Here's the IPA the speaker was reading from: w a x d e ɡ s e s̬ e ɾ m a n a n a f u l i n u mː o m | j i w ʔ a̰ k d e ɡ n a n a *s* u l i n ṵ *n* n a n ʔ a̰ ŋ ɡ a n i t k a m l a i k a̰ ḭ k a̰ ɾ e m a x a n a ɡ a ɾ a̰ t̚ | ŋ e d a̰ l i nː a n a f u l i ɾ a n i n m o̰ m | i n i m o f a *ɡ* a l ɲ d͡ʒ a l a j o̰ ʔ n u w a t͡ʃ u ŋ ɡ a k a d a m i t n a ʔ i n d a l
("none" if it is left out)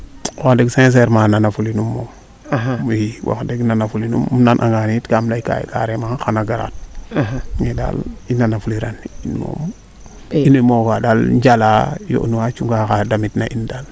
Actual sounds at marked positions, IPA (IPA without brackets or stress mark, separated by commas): f, m, d